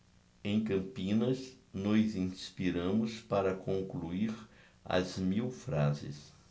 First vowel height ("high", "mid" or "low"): mid